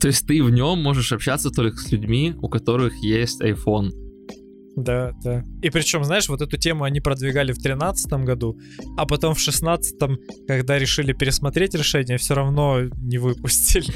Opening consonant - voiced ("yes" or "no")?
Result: no